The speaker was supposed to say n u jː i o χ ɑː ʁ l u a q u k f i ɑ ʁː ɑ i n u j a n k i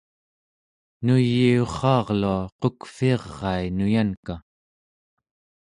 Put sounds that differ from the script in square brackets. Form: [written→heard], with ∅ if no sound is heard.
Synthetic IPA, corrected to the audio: n u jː i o χ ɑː ʁ l u a q [u→o] k f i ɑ ʁː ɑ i n u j a n k [i→a]